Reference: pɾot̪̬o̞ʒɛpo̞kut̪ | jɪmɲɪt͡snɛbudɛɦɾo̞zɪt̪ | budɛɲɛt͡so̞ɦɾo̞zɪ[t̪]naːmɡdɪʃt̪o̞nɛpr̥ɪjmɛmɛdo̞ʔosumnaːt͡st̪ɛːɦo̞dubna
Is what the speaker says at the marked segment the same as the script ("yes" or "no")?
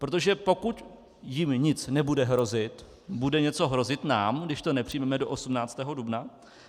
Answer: yes